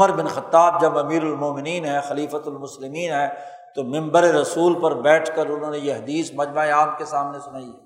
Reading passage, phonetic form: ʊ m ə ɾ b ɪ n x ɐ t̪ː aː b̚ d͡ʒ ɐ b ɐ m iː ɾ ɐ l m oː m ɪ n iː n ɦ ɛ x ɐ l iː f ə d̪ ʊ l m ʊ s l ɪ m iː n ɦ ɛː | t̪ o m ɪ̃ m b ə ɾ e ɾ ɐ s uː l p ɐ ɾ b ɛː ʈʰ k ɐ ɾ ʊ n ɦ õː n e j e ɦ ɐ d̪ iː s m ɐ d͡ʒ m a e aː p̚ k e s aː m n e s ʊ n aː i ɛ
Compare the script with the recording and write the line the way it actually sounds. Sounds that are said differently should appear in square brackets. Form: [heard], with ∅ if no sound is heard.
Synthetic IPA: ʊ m ə ɾ b ɪ n x ɐ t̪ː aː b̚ d͡ʒ ɐ b ɐ m iː ɾ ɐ l m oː m ɪ n iː n ɦ ɛ x ɐ l iː f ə [t̪] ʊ l m ʊ s l ɪ m iː n ɦ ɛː | t̪ o m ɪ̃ m b ə ɾ e ɾ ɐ s uː l p ɐ ɾ b ɛː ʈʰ k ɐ ɾ ʊ n ɦ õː n e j e ɦ ɐ d̪ iː s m ɐ d͡ʒ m a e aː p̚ k e s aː m n e s ʊ n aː i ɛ